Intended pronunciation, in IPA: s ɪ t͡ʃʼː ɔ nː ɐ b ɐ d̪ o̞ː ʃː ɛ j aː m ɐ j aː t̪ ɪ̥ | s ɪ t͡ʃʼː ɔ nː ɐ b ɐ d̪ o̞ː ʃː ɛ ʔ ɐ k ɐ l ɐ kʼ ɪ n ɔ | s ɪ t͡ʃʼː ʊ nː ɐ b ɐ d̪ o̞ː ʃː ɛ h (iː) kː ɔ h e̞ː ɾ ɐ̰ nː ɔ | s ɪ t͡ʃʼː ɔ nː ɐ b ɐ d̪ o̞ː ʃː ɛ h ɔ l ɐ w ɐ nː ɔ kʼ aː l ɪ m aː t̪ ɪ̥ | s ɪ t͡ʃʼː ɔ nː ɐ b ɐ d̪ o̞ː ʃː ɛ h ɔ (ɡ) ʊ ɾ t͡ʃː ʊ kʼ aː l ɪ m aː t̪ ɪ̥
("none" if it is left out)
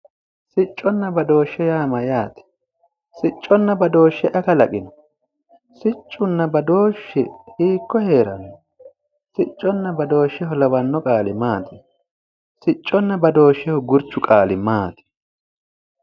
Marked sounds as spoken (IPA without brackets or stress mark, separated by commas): iː, ɡ